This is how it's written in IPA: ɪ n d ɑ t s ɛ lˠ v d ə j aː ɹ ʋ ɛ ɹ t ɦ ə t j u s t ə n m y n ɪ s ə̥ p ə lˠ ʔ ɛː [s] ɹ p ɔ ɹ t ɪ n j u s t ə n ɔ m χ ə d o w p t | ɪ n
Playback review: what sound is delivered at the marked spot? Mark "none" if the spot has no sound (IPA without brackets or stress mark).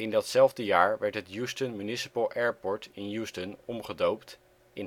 none